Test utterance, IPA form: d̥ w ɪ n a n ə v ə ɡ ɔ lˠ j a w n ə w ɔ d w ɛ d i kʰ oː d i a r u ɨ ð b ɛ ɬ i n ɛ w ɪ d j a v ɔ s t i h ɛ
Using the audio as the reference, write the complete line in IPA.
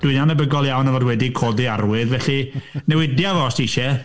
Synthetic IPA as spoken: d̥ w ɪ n a n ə b ə ɡ ɔ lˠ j a w n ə v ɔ d w ɛ d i kʰ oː d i a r w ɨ ð v ɛ ɬ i n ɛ w ɪ d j a v ɔ s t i ʃ ɛ

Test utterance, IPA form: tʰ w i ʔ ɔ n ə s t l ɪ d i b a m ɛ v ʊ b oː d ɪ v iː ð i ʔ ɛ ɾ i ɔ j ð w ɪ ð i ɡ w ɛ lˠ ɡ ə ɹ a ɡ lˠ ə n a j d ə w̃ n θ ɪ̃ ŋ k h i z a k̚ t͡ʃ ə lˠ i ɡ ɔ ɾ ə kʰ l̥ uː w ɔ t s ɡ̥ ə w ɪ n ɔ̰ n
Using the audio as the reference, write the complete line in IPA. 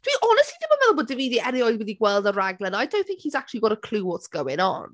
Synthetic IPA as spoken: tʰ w i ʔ ɔ n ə s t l i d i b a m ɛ ð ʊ b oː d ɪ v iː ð i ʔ ɛ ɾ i ɔ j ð w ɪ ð i ɡ w ɛ lˠ d ə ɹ a ɡ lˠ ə n a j d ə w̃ n θ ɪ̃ ŋ k h i z a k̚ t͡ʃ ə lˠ i ɡ ɔ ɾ ə kʰ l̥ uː w ɔ t s ɡ̥ ə w ɪ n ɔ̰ n

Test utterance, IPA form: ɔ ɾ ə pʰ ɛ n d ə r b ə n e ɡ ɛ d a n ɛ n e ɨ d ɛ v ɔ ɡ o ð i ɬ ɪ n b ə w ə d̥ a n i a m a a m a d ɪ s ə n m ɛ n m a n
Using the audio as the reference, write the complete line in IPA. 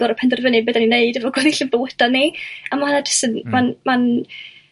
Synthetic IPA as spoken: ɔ ɾ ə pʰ ɛ n d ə r v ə n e b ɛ d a n i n e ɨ d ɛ v ɔ ɡ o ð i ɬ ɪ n b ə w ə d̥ a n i a m a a n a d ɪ s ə n m a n m a n

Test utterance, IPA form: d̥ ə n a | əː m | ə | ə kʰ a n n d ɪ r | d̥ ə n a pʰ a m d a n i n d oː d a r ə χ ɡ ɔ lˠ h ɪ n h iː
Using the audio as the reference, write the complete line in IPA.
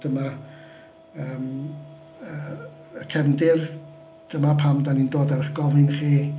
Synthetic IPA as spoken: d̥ ə m a | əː m | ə | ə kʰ ɛ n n d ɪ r | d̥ ə m a pʰ a m d a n i n d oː d a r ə χ ɡ ɔ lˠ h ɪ n χ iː

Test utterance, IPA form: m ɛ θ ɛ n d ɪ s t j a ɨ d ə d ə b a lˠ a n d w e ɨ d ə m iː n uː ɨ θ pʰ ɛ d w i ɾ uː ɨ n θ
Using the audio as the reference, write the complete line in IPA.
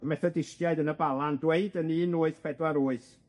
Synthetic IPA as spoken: m ɛ θ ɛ d ɪ s t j a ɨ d ə n ə b a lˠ a n d w e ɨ d ə n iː n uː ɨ θ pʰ ɛ d w a ɾ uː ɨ θ

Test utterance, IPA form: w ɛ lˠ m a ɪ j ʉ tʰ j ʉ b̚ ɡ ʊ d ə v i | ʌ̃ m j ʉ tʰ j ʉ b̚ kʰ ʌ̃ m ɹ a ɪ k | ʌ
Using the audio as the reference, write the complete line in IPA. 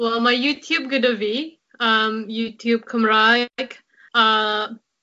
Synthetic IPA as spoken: w ɛ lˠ m a ɪ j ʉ tʰ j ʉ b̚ ɡ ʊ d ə v i | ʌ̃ m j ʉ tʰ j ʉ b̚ kʰ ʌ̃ m ɹ a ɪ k | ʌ

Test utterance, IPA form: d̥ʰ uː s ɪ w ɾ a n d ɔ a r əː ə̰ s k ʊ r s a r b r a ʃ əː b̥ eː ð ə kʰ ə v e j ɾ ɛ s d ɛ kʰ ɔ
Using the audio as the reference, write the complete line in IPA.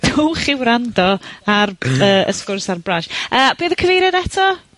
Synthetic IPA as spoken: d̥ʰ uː χ ɪ w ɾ a n d ɔ a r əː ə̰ s k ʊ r s a r b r a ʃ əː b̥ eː ð ə kʰ ə v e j ɾ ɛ d ɛ tʰ ɔ

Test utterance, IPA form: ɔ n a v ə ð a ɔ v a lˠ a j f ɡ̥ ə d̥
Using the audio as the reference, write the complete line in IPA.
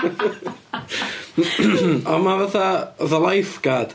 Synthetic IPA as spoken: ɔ m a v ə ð a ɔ ð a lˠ a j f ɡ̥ a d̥

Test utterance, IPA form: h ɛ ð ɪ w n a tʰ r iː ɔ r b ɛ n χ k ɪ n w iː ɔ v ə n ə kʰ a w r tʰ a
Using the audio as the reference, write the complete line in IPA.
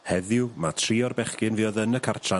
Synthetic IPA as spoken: h ɛ ð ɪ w m a tʰ r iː ɔ r b ɛ χ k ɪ n v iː ɔ ð ə n ə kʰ a r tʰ a

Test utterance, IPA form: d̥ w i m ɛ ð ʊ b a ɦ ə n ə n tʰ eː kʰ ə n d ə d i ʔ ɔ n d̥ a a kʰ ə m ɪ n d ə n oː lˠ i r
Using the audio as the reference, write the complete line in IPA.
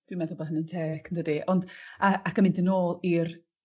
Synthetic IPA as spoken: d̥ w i m ɛ ð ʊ b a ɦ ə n ə n tʰ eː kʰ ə n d ə d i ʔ ɔ n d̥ a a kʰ ə m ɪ n d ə n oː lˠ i r

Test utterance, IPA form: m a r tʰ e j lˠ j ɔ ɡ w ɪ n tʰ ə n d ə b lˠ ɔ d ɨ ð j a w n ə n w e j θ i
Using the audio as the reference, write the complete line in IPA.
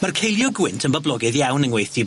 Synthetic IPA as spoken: m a r kʰ e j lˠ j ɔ ɡ w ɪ n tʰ ə n b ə b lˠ ɔ ɡ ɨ ð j a w n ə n w e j θ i

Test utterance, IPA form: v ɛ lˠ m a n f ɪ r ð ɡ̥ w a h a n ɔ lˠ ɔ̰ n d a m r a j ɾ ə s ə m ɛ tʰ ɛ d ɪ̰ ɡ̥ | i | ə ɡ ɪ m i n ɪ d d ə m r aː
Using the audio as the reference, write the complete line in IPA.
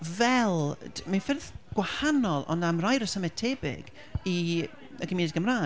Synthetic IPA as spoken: v ɛ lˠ m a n f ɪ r ð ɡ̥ w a h a n ɔ lˠ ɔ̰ n d a m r a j ɾ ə s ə m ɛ tʰ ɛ b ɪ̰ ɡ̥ | i | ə ɡ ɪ m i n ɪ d ɡ ə m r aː

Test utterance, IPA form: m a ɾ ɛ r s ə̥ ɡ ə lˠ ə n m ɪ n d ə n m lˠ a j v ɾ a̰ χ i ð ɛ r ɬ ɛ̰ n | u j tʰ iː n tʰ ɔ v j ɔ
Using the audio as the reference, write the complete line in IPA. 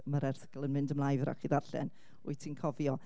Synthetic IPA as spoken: m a ɾ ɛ r θ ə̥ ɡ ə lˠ ə n m ɪ n d ə m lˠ a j v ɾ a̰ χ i ð a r ɬ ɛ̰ n | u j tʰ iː n kʰ ɔ v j ɔ

